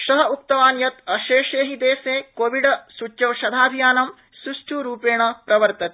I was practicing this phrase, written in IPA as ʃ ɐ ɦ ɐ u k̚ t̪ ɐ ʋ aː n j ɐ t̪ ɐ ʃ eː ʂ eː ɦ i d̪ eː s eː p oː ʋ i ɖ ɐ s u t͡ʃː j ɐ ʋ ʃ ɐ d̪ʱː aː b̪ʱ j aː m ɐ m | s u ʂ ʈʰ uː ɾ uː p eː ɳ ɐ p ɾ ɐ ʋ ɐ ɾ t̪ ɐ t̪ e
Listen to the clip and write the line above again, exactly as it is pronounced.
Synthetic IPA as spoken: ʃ ɐ ɦ ɐ u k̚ t̪ ɐ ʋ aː n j ɐ t̪ ɐ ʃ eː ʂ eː ɦ i d̪ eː s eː k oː ʋ i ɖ ɐ s u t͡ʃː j ɐ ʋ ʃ ɐ d̪ʱ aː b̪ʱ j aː n ɐ m | s u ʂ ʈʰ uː ɾ uː p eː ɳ ɐ p ɾ ɐ ʋ ɐ ɾ t̪ ɐ t̪ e